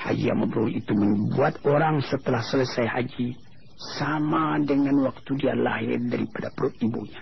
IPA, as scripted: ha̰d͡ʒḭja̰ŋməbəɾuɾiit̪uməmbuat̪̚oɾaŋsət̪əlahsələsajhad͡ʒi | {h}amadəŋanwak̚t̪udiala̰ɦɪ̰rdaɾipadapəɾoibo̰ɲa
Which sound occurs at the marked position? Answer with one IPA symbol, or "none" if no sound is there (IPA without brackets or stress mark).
s